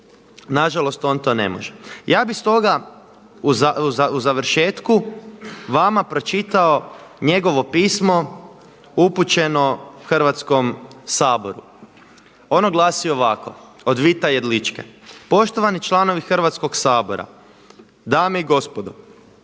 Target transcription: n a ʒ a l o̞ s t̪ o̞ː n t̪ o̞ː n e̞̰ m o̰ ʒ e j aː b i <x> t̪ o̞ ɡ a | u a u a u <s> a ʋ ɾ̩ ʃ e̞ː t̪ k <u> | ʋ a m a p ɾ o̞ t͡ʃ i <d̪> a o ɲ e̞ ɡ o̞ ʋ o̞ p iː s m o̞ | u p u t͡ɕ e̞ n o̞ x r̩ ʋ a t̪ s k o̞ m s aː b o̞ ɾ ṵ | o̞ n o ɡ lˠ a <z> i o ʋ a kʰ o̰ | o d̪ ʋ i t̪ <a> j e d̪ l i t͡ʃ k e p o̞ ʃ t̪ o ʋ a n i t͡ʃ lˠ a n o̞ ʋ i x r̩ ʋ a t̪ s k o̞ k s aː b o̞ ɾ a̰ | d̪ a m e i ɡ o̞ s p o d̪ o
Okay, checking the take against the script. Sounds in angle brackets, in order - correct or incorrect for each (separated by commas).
incorrect, incorrect, correct, incorrect, incorrect, correct